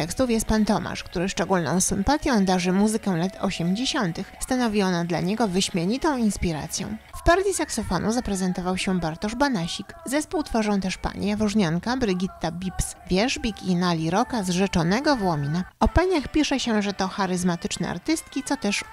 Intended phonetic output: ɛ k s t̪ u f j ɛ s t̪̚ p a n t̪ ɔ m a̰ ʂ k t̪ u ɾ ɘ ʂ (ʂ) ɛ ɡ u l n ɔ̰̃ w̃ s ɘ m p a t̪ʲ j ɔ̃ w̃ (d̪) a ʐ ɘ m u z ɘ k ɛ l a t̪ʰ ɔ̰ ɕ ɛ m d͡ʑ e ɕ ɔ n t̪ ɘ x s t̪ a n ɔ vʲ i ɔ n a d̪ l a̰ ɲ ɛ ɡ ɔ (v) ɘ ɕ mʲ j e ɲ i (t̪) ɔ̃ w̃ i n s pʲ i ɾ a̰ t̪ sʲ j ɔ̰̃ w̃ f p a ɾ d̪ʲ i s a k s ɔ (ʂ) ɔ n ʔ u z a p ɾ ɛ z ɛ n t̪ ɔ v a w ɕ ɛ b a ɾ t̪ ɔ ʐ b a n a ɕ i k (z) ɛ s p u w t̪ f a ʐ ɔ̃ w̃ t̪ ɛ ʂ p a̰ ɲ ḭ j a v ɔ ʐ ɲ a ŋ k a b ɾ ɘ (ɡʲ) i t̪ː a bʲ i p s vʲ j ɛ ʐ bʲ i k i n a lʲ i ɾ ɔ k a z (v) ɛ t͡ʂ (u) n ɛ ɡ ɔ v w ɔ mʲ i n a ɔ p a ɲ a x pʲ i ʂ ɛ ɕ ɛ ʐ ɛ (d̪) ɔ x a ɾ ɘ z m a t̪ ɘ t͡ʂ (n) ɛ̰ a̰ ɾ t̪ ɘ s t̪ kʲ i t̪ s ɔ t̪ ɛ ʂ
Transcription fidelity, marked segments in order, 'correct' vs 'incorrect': incorrect, correct, correct, correct, incorrect, correct, correct, incorrect, incorrect, incorrect, correct

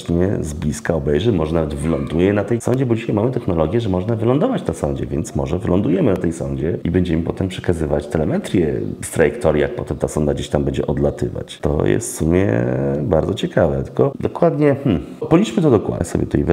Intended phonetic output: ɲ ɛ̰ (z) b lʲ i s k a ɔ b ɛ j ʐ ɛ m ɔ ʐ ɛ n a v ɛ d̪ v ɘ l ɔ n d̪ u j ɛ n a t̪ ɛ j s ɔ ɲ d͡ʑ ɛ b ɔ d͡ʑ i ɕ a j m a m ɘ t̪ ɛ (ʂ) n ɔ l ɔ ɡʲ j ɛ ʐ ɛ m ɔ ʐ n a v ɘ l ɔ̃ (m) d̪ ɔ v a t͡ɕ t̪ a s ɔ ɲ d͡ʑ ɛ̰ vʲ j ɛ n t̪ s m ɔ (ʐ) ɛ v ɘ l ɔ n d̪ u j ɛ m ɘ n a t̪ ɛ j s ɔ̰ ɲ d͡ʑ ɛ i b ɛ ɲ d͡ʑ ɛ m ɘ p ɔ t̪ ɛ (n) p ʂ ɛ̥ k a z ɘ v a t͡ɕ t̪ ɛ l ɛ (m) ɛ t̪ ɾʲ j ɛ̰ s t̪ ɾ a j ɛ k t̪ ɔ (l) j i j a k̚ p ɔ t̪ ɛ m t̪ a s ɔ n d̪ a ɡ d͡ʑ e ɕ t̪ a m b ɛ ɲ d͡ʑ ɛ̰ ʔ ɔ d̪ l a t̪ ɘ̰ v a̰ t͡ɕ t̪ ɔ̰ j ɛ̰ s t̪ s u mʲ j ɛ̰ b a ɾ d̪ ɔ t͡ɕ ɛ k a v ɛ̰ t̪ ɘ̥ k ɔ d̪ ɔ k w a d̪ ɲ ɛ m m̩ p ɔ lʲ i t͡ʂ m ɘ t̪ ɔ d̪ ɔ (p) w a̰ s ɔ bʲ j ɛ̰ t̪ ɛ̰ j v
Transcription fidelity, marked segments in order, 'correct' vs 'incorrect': correct, incorrect, incorrect, correct, incorrect, correct, incorrect, incorrect

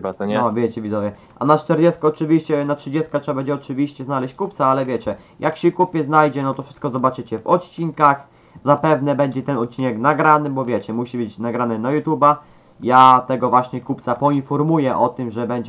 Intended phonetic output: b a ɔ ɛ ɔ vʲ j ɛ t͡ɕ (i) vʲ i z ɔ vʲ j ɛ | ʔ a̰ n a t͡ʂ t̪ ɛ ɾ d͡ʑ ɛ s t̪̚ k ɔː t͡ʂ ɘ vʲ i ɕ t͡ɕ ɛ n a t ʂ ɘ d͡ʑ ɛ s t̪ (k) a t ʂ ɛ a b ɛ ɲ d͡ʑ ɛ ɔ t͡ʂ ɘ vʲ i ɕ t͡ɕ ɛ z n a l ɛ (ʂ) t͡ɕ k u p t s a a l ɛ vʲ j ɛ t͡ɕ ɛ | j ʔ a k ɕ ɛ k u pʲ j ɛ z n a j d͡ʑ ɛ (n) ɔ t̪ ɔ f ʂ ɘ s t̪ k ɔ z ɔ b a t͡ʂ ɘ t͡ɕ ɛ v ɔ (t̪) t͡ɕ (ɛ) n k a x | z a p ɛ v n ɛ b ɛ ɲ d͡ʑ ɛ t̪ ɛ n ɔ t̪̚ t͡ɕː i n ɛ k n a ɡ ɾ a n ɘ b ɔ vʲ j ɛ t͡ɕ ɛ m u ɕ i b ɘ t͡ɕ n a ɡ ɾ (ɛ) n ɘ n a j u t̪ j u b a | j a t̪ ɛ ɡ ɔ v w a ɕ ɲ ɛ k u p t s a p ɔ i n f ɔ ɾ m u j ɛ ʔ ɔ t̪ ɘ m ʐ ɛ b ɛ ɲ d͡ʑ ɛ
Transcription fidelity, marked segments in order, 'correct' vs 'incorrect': incorrect, correct, incorrect, correct, correct, incorrect, incorrect

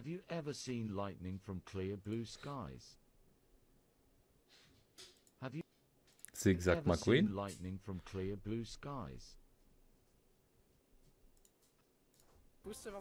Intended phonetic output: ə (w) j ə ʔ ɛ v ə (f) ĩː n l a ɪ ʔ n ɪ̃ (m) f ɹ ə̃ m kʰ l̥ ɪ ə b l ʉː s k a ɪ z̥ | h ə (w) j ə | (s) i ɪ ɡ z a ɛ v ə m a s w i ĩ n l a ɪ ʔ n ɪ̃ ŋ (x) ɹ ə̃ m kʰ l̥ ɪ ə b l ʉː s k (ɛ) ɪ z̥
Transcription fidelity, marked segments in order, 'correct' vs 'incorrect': incorrect, incorrect, incorrect, incorrect, correct, incorrect, incorrect

